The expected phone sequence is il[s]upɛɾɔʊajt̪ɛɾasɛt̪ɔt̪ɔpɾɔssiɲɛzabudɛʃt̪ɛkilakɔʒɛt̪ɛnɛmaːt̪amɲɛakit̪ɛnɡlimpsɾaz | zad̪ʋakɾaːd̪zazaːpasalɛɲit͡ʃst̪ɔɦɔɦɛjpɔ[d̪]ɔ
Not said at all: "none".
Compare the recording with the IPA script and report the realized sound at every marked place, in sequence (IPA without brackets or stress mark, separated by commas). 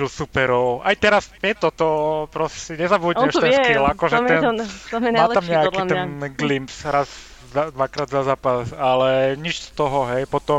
s, t̪